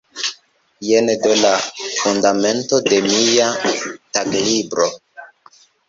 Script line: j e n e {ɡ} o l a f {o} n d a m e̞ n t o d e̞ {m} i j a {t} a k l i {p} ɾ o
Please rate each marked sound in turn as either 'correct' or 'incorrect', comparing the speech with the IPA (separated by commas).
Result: incorrect, incorrect, correct, correct, incorrect